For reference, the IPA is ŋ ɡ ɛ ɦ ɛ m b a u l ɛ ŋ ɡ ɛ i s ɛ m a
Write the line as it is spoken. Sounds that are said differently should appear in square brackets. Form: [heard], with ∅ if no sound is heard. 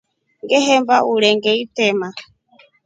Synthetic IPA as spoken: ŋ ɡ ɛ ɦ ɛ m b a u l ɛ ŋ ɡ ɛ i [t] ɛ m a